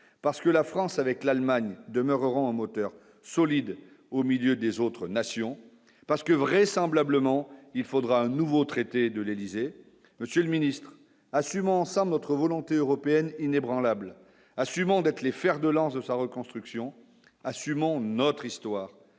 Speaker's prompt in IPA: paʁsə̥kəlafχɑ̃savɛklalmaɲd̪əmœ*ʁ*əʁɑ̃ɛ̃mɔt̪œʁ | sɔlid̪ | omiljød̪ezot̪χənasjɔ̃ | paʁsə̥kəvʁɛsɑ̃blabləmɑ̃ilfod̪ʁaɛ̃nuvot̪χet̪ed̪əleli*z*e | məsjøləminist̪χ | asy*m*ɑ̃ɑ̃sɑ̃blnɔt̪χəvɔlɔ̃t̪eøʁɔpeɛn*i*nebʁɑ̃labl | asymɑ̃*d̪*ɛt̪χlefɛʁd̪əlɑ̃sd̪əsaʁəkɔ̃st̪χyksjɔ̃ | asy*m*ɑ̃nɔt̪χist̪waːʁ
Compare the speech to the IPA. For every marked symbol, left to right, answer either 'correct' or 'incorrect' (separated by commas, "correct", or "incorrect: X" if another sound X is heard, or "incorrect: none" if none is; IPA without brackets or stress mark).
correct, correct, correct, correct, correct, correct